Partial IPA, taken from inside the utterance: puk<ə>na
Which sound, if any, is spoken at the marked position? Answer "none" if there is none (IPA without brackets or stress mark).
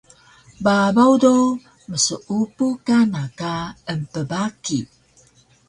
a